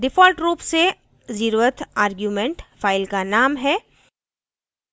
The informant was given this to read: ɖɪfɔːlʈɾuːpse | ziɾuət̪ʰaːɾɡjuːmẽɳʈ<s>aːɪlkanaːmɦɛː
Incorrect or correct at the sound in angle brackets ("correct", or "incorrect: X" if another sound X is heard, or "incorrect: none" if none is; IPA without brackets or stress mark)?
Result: incorrect: f